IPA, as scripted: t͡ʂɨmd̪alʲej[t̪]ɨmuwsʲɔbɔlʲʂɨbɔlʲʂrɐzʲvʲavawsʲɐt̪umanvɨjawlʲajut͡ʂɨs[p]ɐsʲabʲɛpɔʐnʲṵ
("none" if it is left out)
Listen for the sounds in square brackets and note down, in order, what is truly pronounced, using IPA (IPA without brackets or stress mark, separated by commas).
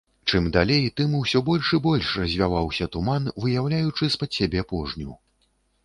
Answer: t̪, p